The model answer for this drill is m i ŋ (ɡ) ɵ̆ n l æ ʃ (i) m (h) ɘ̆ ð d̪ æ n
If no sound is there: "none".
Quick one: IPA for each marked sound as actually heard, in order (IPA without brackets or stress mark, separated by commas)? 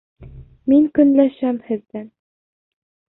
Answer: k, æ, h